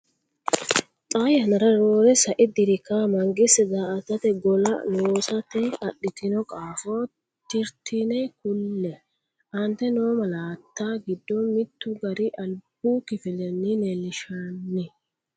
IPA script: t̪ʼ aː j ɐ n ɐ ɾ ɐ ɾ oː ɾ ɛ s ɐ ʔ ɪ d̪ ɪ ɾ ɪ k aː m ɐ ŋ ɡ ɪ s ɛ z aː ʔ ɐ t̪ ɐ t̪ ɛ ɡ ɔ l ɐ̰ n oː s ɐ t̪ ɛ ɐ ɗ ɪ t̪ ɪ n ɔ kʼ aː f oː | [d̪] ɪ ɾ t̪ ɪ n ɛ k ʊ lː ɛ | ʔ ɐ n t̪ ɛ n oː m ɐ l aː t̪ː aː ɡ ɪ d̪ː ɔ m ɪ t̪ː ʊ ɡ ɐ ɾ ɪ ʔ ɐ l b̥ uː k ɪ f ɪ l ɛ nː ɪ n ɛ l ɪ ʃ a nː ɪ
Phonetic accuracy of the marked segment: incorrect: t̪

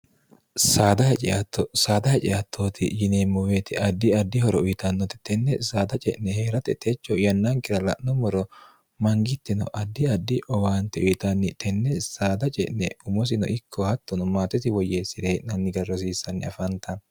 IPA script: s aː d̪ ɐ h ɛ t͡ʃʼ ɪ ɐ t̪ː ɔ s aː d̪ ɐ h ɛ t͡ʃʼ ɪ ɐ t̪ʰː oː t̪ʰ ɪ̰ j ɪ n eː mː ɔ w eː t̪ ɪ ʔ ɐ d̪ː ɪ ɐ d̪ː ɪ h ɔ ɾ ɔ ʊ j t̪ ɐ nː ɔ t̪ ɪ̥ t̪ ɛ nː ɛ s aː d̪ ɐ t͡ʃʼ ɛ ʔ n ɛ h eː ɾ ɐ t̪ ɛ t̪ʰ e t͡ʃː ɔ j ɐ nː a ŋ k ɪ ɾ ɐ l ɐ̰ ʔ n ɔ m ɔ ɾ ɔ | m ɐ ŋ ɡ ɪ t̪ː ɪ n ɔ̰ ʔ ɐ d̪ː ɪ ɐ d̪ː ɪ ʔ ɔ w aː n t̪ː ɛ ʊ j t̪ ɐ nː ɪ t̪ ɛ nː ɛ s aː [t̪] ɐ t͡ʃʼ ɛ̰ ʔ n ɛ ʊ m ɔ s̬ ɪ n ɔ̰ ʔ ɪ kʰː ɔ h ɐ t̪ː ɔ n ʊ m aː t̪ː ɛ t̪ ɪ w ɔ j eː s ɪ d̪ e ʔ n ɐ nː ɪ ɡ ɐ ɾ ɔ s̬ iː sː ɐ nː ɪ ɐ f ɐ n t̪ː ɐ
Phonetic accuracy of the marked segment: incorrect: d̪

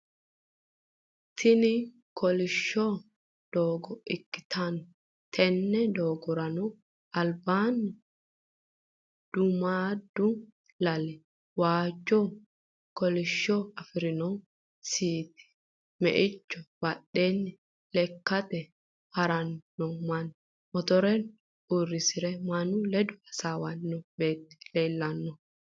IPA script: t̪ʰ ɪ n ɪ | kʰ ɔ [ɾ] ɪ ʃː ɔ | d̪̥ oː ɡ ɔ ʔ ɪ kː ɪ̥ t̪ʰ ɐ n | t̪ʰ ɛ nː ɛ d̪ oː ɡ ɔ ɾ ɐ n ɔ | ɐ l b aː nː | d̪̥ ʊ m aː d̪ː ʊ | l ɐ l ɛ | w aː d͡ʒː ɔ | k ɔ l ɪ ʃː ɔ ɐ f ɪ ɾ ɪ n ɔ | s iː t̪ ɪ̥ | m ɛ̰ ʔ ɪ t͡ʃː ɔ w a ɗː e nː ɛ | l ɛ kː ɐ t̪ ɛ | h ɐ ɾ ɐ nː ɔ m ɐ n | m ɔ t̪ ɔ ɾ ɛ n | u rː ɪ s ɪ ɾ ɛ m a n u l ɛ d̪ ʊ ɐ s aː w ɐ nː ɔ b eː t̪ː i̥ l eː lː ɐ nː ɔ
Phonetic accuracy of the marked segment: incorrect: l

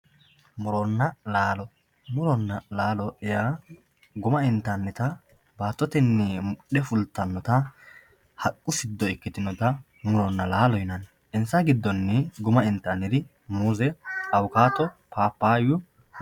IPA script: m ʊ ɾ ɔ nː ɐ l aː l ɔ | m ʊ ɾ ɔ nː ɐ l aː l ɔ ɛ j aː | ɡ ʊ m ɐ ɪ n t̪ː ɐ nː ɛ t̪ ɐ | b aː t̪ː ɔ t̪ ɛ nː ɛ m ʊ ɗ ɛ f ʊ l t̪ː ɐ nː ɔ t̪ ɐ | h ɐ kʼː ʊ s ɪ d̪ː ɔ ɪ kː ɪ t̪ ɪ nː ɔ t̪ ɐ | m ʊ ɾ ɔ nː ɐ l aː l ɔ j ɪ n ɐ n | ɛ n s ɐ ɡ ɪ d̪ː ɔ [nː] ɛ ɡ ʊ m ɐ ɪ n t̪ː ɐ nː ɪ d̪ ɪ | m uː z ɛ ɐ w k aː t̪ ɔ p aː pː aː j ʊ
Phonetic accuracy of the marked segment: correct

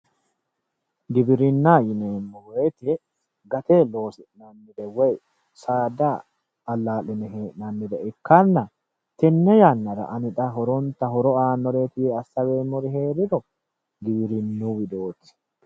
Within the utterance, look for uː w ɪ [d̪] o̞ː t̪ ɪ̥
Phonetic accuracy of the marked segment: correct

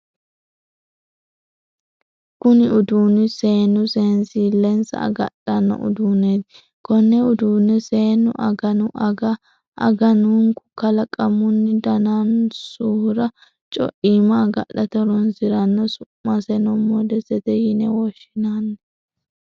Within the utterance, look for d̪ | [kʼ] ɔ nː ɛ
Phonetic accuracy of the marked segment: incorrect: k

